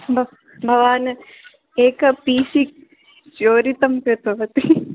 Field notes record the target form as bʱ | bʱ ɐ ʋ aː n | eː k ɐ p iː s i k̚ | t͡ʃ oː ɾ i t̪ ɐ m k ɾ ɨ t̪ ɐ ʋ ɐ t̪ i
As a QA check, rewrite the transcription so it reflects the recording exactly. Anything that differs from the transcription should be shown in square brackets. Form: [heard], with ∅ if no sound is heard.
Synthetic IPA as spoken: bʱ | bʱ ɐ ʋ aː n | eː k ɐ p iː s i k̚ | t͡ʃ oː ɾ i t̪ ɐ m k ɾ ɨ t̪ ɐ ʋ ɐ t̪ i

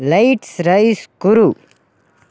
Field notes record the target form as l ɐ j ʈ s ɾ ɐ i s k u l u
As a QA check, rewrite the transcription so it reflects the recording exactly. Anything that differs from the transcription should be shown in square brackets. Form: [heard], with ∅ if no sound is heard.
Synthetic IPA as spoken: l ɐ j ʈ s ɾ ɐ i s k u [ɾ] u

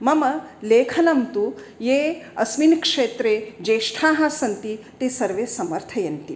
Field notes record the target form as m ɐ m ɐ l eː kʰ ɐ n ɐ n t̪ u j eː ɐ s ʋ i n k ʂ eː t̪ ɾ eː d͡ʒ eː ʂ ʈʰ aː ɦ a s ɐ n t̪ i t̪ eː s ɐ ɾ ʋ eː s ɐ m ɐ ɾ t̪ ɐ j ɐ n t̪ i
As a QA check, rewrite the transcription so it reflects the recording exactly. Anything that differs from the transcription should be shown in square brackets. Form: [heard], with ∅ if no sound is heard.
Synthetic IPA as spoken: m ɐ m ɐ l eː kʰ ɐ n ɐ [m] t̪ u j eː ɐ s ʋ i n k ʂ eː t̪ ɾ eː d͡ʒ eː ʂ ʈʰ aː ɦ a s ɐ n t̪ i t̪ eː s ɐ ɾ ʋ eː s ɐ m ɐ ɾ [t̪ʰ] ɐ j ɐ n t̪ i

